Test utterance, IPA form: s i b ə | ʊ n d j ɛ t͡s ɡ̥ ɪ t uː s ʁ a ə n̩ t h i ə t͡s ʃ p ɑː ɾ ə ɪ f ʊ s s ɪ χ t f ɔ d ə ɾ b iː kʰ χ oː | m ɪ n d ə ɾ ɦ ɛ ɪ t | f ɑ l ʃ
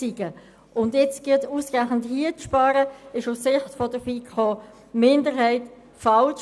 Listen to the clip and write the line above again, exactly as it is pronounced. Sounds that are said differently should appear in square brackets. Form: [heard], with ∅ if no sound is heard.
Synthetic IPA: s i [ɡ] ə | ʊ n d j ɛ t͡s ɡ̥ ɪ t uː s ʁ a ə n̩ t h i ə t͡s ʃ p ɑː ɾ ə ɪ [ʃ] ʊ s s ɪ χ t f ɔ d ə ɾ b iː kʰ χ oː | m ɪ n d ə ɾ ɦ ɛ ɪ t | f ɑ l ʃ